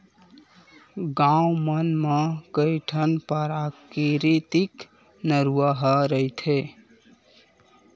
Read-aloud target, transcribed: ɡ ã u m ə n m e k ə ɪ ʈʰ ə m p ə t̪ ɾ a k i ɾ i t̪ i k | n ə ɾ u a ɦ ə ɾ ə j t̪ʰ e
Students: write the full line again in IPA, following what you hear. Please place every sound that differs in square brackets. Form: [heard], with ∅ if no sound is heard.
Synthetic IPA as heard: ɡ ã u m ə n m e k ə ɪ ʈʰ ə [n] p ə [∅] ɾ a k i ɾ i t̪ i k | n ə ɾ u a ɦ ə ɾ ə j t̪ʰ e